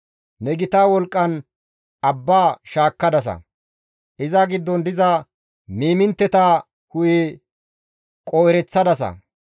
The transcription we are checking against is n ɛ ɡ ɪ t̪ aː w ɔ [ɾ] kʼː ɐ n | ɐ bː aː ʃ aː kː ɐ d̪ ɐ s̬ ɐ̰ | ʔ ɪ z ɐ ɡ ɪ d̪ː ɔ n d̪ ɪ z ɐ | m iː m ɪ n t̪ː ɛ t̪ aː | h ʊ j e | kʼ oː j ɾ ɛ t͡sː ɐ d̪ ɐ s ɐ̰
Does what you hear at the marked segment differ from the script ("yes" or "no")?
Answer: yes